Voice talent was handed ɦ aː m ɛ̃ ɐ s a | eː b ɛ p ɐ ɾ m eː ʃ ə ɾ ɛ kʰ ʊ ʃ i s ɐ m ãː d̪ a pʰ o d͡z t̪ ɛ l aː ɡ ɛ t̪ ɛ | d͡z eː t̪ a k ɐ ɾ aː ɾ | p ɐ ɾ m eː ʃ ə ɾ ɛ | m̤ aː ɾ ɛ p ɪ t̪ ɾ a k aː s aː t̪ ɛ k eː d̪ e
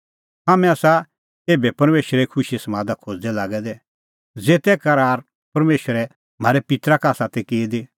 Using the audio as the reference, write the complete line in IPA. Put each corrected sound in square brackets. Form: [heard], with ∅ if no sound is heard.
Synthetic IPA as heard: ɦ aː m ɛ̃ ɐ s a | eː b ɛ p ɐ ɾ m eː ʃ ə ɾ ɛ kʰ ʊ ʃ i s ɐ m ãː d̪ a [kʰ] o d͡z [d̪] ɛ l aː ɡ ɛ [d̪] ɛ | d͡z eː t̪ [ɛ] k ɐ ɾ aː ɾ | p ɐ ɾ m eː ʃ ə ɾ ɛ | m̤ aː ɾ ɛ p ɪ t̪ ɾ a k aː s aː t̪ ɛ k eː d̪ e